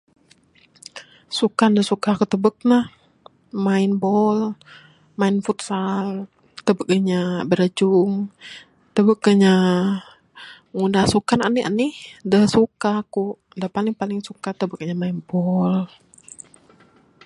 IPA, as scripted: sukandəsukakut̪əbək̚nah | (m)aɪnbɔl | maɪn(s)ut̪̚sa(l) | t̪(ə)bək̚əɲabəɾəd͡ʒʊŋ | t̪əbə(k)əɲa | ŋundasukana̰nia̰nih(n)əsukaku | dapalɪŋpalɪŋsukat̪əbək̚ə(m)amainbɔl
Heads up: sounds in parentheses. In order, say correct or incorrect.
correct, incorrect: f, correct, correct, correct, incorrect: d, incorrect: ɲ

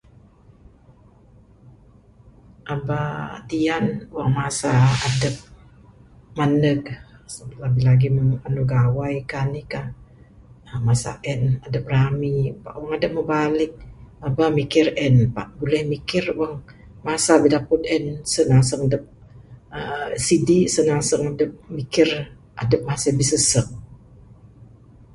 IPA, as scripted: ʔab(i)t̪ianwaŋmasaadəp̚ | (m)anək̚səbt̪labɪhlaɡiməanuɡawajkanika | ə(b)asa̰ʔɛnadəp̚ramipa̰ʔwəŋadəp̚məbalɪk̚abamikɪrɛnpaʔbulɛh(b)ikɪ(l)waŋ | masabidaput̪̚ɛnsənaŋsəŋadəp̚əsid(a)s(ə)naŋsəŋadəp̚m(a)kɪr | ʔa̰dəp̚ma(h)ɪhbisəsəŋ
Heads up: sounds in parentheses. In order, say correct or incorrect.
incorrect: a, correct, incorrect: m, incorrect: m, incorrect: r, incorrect: i, correct, incorrect: i, incorrect: s

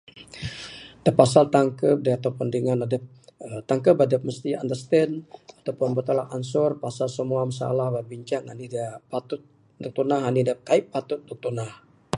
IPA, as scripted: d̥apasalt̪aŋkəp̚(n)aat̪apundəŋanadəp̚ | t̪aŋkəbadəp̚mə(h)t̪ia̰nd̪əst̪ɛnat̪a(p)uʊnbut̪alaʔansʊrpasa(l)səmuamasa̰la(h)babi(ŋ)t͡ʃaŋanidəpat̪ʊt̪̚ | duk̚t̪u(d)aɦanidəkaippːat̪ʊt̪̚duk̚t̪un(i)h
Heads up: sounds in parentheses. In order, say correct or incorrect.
incorrect: d, incorrect: s, correct, correct, correct, incorrect: ɲ, incorrect: n, incorrect: a

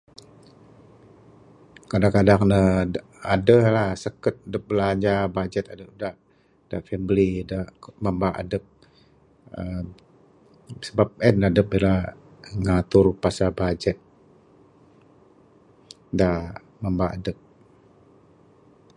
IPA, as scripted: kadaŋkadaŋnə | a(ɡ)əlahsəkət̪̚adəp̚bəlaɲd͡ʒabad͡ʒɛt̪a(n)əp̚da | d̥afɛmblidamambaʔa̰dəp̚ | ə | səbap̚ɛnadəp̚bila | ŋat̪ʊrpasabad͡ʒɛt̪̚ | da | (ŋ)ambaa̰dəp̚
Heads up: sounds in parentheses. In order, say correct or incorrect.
incorrect: d, incorrect: d, incorrect: m

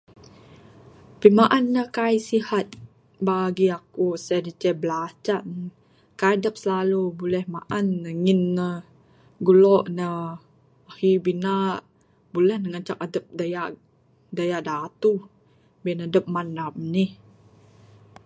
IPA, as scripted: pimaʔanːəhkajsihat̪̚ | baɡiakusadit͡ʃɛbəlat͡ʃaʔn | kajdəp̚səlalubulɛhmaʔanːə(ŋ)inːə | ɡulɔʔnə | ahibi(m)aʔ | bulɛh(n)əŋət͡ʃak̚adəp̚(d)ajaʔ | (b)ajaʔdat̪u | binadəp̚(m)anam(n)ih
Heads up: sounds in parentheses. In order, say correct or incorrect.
correct, incorrect: n, correct, correct, incorrect: d, correct, correct

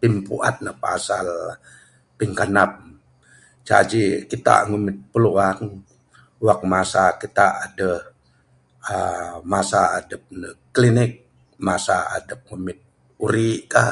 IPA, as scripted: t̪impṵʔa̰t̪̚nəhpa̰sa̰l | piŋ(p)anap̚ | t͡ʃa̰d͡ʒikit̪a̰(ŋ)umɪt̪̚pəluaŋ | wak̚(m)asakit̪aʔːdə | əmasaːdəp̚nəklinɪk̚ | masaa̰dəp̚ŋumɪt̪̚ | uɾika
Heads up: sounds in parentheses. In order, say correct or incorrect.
incorrect: k, correct, correct

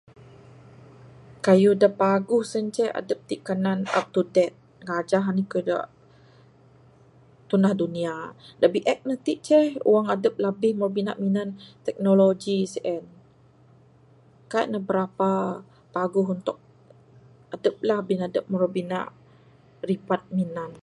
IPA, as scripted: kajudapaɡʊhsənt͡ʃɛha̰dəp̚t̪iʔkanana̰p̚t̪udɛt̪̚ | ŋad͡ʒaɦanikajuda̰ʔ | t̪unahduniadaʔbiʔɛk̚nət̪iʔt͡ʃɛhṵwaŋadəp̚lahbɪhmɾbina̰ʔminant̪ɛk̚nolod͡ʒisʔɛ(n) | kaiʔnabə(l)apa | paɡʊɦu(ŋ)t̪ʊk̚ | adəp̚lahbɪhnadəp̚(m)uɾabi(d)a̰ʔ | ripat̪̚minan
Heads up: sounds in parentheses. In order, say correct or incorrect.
correct, incorrect: ɾ, incorrect: n, correct, incorrect: n

